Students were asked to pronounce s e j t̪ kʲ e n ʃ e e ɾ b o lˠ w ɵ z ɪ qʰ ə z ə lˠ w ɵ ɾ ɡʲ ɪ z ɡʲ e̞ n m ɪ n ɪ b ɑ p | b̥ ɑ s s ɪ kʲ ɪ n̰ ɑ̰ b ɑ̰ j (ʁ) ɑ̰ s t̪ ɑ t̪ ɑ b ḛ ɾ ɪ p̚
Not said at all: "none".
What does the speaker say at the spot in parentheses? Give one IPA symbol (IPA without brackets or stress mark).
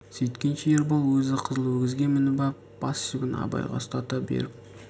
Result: ʁ